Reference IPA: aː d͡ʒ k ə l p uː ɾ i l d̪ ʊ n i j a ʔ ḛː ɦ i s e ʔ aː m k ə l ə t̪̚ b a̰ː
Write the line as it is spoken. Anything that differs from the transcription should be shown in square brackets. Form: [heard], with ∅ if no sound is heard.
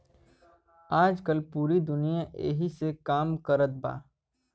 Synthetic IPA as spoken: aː d͡ʒ k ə l p uː ɾ i [∅] d̪ ʊ n i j a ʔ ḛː ɦ i s e [k] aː m k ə [ɾ] ə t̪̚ b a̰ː